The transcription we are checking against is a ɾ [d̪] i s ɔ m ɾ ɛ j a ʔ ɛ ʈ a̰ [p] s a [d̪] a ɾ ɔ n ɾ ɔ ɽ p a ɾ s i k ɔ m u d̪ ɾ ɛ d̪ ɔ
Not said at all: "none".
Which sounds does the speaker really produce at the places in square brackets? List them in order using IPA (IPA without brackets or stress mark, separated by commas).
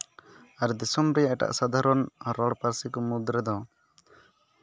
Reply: d̪, ʔ, d̪